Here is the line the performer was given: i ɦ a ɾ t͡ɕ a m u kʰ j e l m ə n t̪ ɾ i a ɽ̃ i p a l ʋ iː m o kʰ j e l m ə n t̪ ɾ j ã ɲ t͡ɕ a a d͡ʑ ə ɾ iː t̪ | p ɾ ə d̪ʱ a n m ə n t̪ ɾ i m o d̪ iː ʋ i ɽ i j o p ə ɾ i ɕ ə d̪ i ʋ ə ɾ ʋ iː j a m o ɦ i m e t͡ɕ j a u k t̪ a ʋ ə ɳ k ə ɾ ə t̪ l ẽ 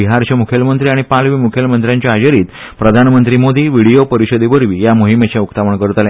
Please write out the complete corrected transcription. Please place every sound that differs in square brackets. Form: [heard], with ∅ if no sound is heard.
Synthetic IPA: i ɦ a ɾ t͡ɕ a m u kʰ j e l m ə n t̪ ɾ i a ɽ̃ i p a l ʋ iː m [u] kʰ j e l m ə n t̪ ɾ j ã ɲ t͡ɕ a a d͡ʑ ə ɾ iː t̪ | p ɾ ə d̪ʱ a n m ə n t̪ ɾ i m o d̪ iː ʋ i ɽ i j o p ə ɾ i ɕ ə d̪ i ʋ ə ɾ ʋ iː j a m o ɦ i m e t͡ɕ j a u k t̪ a ʋ ə ɳ k ə ɾ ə t̪ l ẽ